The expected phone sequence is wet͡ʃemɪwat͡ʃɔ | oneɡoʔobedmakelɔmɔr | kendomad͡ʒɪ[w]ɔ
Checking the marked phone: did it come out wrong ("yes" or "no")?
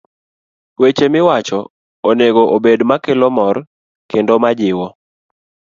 no